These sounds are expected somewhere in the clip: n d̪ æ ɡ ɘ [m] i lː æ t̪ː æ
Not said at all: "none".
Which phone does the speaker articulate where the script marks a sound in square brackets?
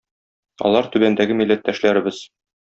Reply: m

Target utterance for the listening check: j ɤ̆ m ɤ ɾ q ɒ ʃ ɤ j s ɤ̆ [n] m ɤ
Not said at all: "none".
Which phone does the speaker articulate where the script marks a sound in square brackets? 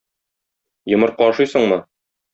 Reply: ɴ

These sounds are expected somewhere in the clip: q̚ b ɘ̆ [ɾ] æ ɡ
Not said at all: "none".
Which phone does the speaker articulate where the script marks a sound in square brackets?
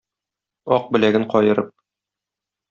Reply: l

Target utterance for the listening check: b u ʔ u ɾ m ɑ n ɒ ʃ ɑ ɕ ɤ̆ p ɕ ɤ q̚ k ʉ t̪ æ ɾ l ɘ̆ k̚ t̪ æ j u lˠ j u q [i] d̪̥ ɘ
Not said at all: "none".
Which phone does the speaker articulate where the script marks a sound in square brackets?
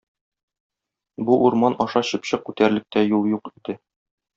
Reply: i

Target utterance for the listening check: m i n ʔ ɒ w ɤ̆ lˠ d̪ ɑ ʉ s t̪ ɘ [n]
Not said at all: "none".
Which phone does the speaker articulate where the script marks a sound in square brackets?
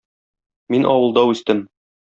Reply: m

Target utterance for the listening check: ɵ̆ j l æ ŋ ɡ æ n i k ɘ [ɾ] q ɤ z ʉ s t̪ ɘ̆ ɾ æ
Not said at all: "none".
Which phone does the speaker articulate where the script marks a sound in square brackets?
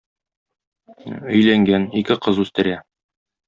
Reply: none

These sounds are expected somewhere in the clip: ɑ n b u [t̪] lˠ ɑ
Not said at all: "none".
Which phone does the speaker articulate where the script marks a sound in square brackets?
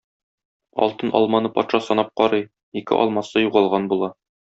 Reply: none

